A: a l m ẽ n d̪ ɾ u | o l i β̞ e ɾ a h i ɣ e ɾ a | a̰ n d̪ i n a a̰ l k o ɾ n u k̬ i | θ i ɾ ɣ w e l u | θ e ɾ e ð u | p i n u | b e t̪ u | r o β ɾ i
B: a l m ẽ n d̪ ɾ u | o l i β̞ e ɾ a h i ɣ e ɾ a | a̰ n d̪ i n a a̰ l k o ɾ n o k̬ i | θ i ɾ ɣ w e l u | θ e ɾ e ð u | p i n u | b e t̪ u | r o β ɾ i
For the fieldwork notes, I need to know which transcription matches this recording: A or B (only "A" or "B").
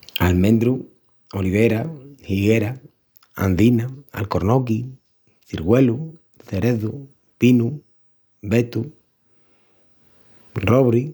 B